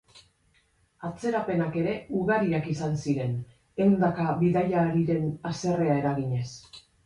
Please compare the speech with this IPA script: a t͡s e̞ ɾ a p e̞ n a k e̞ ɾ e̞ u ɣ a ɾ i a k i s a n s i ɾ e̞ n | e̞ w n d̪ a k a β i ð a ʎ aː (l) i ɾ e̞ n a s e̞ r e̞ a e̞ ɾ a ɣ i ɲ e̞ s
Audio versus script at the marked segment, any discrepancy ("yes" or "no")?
yes